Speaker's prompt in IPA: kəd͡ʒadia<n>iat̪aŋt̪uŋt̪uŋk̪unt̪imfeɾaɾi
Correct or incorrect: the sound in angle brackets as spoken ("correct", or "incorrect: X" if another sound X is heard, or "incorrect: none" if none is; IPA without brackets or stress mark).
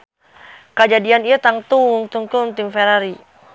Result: correct